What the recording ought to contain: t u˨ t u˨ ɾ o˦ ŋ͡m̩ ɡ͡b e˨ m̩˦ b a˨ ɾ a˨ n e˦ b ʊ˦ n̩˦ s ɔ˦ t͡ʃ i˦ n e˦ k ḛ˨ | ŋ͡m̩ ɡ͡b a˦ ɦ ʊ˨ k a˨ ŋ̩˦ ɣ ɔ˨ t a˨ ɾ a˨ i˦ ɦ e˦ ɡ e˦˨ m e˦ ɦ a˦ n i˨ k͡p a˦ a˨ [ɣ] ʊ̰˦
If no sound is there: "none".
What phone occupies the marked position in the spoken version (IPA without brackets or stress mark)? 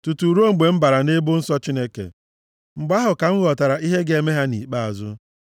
z